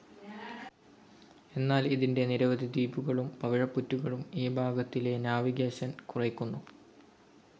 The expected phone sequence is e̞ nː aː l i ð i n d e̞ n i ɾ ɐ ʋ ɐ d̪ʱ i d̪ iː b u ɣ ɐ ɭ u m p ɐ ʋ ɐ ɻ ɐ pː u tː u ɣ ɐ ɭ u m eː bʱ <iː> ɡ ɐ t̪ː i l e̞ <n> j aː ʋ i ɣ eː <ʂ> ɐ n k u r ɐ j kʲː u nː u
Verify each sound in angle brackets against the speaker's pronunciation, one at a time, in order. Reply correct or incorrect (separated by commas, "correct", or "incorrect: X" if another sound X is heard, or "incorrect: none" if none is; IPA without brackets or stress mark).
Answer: incorrect: aː, correct, incorrect: ɕ